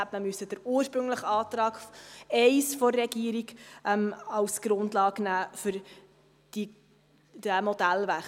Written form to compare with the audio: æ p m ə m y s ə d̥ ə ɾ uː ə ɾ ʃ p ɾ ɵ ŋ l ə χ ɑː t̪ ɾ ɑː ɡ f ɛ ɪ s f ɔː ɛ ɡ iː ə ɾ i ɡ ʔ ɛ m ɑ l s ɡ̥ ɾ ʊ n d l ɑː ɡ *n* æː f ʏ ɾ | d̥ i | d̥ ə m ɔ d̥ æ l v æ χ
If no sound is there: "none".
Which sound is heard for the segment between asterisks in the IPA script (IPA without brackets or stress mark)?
n